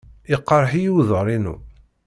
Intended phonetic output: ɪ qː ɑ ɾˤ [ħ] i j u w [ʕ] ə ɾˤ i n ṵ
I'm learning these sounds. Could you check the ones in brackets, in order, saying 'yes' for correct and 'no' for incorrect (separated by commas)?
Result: yes, no